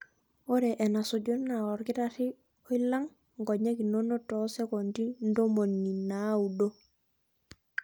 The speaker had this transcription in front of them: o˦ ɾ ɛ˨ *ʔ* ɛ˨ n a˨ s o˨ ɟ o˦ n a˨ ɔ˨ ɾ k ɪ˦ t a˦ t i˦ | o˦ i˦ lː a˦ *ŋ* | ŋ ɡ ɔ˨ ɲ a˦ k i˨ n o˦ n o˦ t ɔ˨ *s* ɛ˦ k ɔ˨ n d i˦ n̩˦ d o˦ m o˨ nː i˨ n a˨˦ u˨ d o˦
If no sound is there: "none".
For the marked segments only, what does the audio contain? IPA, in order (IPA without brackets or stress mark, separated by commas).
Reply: ʔ, ŋ, s